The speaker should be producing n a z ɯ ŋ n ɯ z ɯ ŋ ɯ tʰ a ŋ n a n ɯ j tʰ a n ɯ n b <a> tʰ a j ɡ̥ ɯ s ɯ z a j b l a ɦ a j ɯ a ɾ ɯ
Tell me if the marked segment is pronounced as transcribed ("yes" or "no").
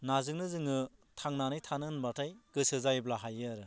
yes